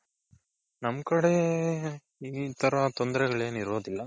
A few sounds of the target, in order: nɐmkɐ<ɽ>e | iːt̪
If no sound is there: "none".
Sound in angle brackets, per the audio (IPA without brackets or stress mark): ɽ